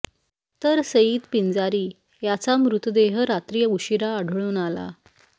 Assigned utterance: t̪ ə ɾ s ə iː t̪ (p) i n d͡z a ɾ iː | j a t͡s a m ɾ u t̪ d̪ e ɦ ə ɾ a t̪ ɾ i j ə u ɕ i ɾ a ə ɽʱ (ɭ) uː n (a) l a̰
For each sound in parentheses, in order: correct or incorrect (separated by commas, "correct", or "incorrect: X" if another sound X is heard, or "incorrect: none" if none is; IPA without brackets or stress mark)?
correct, correct, correct